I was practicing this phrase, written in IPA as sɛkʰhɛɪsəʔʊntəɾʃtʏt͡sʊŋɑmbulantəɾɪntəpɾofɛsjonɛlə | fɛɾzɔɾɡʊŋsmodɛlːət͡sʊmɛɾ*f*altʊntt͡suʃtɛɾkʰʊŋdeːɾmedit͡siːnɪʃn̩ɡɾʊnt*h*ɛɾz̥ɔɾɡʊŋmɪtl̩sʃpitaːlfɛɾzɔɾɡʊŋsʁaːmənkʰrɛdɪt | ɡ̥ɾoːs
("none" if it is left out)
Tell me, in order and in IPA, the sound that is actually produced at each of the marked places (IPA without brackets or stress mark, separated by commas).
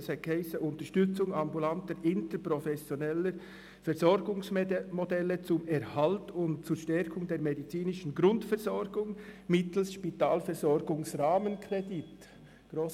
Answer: h, f